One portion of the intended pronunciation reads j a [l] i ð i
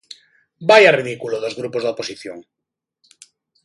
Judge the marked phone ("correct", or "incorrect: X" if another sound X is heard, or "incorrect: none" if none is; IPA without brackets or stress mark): incorrect: r